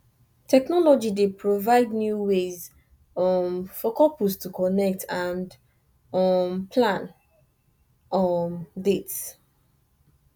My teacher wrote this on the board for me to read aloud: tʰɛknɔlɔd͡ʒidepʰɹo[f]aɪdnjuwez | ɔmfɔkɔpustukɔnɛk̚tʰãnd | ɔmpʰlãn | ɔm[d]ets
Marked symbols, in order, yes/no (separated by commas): no, yes